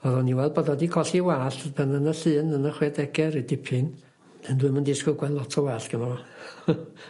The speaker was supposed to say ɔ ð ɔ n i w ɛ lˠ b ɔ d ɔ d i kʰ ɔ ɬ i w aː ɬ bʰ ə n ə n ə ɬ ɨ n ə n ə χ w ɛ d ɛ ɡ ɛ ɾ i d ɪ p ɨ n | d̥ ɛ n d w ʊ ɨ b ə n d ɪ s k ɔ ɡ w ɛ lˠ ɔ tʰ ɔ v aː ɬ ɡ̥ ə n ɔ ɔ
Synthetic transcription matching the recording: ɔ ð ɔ n i w ɛ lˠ b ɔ d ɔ d i kʰ ɔ ɬ i w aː ɬ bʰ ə n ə n ə ɬ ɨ n ə n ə χ w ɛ d ɛ ɡ ɛ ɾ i d ɪ pʰ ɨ n | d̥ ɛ n d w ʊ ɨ m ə n d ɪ s k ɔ ɡ w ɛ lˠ ɔ tʰ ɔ w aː ɬ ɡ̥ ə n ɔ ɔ